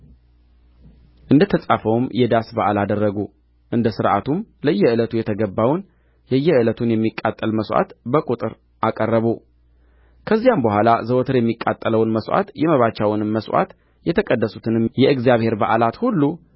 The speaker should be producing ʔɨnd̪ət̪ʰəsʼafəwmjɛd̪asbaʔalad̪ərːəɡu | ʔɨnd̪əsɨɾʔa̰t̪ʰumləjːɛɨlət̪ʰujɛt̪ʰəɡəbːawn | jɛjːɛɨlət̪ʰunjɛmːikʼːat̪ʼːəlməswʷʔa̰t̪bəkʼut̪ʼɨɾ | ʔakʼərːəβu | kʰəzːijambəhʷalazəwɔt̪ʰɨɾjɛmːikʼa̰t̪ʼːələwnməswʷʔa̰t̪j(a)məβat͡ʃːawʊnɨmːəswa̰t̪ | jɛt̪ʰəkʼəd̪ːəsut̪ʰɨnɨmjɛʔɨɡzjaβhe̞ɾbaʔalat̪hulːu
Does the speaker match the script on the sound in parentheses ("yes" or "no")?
no